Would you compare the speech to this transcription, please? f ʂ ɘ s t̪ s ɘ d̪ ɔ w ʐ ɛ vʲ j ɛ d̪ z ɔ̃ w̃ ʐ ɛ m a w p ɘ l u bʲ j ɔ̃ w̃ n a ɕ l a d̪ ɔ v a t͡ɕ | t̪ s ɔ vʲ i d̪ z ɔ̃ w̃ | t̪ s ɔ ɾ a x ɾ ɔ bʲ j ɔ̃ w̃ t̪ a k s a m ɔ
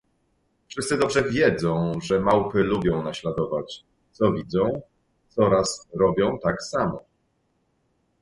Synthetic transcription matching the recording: f ʂ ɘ s t̪ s ɘ d̪ ɔ b ʐ ɛ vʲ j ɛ d̪ z ɔ̃ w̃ ʐ ɛ m a w p ɘ l u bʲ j ɔ̃ w̃ n a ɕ l a d̪ ɔ v a t͡ɕ | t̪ s ɔ vʲ i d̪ z ɔ̃ w̃ | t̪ s ɔ ɾ a s ɾ ɔ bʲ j ɔ̃ w̃ t̪ a k s a m ɔ